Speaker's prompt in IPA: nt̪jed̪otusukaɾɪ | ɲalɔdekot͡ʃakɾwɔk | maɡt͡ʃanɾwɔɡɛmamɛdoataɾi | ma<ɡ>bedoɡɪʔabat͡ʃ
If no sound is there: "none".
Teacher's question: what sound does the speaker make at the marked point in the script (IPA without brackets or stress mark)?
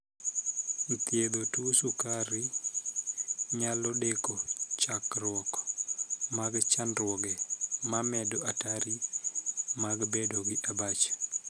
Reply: ɡ